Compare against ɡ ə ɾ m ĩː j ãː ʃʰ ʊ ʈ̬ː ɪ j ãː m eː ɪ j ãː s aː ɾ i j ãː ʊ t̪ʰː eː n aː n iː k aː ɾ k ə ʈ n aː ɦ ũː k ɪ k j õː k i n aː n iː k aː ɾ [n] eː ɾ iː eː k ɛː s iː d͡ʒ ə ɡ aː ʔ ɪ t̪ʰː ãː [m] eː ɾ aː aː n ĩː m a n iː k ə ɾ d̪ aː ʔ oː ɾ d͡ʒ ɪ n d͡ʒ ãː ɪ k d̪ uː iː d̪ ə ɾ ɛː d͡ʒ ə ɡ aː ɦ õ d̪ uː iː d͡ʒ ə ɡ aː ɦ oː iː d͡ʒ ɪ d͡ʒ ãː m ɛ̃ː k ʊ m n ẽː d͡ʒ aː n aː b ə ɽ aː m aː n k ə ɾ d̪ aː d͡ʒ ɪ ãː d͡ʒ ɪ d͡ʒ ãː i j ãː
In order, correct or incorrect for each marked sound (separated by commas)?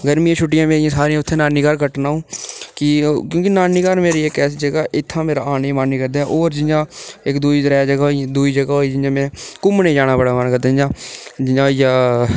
incorrect, correct